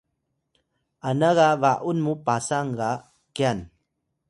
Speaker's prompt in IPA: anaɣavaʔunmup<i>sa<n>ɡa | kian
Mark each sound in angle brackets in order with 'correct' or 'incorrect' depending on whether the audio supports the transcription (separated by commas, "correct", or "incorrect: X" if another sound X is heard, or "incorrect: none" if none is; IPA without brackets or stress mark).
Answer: incorrect: a, incorrect: ŋ